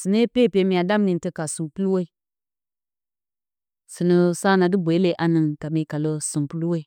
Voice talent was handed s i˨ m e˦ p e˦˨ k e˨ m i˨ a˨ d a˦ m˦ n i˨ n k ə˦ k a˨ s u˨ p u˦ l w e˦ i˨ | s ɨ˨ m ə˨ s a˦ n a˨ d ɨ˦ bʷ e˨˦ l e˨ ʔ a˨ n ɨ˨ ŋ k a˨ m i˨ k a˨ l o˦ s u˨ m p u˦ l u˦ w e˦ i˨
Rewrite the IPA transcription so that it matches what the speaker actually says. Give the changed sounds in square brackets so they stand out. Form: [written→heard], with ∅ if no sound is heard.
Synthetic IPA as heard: s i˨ [m→n] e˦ p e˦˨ [k→p] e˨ m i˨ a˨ d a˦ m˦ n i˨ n [k→t] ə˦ k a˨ s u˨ p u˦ l w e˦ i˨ | s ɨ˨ [m→n] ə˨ s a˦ n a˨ d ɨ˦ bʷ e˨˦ l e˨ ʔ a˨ n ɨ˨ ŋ k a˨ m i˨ k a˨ l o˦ s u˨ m p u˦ l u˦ w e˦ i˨